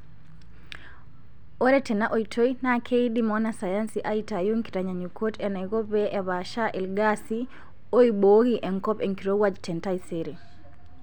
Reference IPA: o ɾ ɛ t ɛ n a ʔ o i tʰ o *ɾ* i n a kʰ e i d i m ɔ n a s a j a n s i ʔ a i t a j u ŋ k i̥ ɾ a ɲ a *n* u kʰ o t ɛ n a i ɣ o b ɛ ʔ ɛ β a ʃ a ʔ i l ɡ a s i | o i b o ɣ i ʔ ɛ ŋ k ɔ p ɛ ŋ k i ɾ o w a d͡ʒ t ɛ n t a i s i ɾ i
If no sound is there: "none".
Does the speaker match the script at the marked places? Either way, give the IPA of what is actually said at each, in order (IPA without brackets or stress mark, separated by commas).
none, ɲ